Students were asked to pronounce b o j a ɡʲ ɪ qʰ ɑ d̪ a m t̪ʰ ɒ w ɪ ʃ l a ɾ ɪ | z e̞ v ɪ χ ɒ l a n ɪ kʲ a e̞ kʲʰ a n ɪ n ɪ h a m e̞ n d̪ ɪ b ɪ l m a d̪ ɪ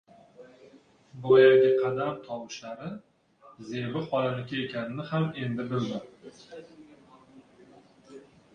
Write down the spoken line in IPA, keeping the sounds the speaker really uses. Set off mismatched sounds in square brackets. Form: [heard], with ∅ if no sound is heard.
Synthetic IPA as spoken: b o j a ɡʲ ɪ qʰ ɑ d̪ a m t̪ʰ ɒ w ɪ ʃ l a ɾ ɪ | z e̞ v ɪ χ ɒ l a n ɪ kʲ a e̞ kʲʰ a n ɪ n ɪ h a m e̞ n d̪ ɪ b ɪ l m a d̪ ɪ